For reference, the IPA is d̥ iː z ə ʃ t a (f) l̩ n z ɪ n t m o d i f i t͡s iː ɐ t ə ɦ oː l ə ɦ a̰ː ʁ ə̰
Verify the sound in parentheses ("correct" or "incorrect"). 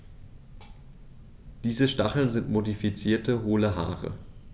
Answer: incorrect